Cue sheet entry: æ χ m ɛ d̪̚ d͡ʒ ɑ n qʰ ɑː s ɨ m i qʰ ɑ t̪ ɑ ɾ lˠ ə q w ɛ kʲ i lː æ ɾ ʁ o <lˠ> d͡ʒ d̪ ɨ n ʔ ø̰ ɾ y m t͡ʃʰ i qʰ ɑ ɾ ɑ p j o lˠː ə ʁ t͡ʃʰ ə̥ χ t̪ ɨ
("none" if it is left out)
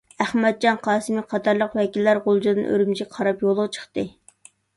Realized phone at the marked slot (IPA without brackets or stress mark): lˠ